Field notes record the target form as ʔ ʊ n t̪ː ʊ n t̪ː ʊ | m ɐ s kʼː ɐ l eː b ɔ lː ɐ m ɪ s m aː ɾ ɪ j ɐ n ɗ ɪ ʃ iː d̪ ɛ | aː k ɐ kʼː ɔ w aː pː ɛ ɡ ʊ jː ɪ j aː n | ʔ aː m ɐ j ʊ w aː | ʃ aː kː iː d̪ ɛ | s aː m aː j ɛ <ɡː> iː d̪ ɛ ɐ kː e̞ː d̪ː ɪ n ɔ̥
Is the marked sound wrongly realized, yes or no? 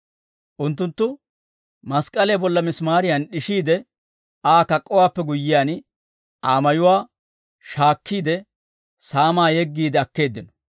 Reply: no